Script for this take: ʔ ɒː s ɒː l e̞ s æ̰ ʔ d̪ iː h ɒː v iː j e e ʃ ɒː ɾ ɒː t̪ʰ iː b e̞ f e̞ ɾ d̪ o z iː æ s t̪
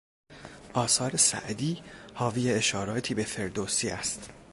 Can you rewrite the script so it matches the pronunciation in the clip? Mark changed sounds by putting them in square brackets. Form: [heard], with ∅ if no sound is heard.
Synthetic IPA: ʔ ɒː s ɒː [ɾ] e̞ s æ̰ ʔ d̪ iː h ɒː v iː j e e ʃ ɒː ɾ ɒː t̪ʰ iː b e̞ f e̞ ɾ d̪ o [s] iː æ s t̪